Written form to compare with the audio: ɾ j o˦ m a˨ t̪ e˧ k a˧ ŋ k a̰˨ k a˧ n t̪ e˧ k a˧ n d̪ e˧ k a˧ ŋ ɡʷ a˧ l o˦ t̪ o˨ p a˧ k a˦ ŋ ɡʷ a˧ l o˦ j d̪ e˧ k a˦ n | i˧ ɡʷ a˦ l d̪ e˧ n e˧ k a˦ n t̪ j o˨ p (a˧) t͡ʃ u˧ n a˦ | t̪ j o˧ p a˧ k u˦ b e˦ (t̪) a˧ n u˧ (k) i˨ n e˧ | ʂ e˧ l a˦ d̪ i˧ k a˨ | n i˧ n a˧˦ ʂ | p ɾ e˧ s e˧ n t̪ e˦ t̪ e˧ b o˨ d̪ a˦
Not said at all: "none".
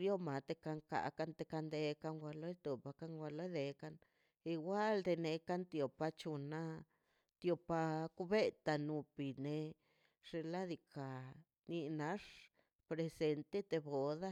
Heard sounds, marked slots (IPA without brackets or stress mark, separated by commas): a˧, t̪, p